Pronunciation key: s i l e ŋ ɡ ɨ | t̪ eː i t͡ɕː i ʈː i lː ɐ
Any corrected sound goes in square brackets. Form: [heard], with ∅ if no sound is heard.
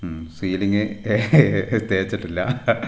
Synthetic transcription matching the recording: s [iː] l [i] ŋ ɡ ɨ | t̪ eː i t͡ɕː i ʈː i lː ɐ